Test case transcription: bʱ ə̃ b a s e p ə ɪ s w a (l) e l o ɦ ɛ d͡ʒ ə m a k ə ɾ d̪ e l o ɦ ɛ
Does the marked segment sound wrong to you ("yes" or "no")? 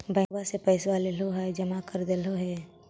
no